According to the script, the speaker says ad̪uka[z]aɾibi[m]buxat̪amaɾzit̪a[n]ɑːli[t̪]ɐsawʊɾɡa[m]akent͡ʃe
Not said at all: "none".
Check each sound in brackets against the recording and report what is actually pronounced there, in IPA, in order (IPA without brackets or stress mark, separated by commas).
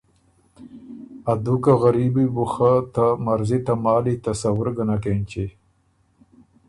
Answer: ɣ, none, m, t̪, n